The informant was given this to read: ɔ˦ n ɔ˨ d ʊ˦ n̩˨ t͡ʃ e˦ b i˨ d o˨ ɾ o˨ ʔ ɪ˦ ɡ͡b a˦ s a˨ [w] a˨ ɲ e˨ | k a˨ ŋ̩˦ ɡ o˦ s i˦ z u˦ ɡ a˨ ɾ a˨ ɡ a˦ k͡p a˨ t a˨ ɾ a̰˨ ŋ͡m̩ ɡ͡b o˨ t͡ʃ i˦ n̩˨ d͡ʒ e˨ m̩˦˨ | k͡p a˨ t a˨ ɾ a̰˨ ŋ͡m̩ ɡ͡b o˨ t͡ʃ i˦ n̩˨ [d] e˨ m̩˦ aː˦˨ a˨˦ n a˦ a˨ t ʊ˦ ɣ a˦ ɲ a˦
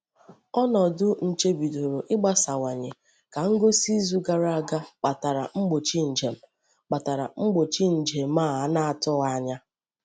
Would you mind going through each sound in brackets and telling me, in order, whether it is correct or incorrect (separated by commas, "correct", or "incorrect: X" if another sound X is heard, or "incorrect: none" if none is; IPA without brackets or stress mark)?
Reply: correct, incorrect: d͡ʒ